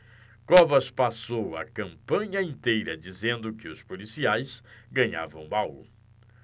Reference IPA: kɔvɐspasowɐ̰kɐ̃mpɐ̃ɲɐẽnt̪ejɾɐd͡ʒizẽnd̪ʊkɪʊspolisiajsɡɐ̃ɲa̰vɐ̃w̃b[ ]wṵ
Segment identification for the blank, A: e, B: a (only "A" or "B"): B